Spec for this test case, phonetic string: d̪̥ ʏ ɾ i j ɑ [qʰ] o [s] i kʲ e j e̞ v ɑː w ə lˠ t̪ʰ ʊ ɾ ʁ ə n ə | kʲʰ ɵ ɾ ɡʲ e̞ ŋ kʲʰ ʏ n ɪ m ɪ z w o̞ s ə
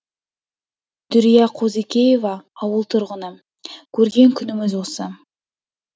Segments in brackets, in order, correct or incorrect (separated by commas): correct, incorrect